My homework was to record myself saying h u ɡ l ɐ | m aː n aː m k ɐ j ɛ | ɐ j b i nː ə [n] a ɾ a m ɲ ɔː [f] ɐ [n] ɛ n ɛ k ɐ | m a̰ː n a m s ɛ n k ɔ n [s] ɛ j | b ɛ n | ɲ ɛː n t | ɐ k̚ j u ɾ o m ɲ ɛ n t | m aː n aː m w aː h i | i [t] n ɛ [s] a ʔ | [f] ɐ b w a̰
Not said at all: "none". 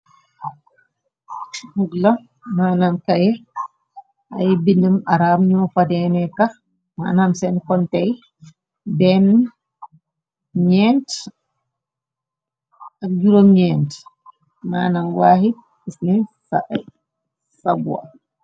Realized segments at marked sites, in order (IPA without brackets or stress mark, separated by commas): m, f, d, t, s, s, s